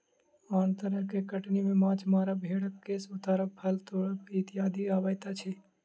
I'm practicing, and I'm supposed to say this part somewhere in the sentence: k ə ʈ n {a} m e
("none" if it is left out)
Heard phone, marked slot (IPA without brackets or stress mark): i